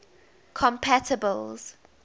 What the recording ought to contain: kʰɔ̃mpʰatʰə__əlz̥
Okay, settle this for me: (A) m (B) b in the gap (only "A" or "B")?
B